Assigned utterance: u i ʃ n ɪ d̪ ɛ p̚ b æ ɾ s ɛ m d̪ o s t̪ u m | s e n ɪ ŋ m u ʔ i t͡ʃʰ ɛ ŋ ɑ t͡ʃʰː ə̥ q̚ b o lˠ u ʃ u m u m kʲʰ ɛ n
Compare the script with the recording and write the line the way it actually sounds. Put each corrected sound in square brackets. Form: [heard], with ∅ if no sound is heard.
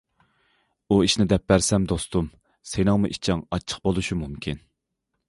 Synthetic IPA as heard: u i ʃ n ɪ d̪ ɛ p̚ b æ ɾ s ɛ m d̪ o s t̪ u m | s e n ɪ ŋ m u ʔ i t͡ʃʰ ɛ ŋ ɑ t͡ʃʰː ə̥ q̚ b o lˠ u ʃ u m u m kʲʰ [i] n